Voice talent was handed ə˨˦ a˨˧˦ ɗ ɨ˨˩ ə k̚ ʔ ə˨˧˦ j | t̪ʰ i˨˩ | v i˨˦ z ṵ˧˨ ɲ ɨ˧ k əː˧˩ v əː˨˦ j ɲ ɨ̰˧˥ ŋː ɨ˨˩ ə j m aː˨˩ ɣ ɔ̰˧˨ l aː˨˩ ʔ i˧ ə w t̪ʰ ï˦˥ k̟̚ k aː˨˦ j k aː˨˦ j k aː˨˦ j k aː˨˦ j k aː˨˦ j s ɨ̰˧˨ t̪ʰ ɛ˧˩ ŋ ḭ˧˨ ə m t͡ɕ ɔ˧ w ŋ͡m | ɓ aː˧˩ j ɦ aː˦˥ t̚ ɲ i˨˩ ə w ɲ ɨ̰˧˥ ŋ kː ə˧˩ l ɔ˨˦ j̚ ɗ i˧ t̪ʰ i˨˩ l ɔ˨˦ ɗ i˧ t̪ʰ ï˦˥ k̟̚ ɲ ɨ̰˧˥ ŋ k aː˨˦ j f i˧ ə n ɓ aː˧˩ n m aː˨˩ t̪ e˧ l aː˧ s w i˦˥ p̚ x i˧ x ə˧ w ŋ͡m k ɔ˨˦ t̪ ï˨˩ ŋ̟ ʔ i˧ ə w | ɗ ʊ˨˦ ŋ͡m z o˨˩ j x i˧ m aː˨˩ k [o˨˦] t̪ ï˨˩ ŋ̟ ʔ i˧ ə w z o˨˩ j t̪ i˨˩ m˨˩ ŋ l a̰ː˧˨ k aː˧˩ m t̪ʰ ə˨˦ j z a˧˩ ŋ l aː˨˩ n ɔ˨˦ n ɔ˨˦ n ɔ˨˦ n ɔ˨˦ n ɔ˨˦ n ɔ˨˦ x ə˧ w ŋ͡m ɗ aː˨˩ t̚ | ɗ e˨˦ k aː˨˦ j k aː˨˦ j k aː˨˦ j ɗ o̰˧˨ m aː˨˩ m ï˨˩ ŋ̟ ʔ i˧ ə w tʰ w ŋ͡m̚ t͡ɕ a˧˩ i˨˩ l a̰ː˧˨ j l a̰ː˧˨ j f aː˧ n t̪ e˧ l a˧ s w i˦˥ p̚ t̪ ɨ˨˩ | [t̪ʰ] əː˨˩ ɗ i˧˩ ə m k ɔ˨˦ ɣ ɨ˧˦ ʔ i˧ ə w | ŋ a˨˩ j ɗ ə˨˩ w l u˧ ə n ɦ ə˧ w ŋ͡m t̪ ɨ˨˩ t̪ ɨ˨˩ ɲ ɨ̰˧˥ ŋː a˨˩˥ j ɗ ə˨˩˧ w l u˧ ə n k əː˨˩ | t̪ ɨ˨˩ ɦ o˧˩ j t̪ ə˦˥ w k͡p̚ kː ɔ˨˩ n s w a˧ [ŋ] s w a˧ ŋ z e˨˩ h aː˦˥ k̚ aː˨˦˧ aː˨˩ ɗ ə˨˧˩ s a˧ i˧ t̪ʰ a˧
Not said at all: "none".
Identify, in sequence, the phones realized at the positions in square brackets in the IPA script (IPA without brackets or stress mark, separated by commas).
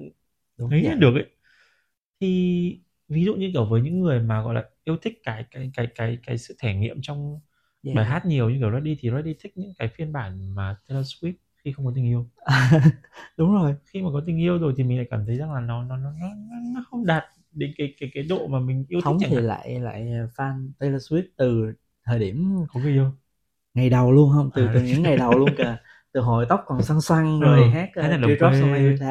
ɔ˨˦, t̪ʰ, ŋ